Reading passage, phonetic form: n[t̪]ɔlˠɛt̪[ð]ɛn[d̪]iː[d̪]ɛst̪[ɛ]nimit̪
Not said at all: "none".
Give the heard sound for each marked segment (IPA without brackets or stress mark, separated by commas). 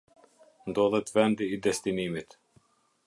d̪, v, d̪, d̪, i